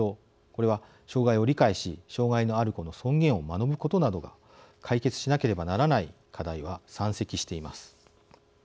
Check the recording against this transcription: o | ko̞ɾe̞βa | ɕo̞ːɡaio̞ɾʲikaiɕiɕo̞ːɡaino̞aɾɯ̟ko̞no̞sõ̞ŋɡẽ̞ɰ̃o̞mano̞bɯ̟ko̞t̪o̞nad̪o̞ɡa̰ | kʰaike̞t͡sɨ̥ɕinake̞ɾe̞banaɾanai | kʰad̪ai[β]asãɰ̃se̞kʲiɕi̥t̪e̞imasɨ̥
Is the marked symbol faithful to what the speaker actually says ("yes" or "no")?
yes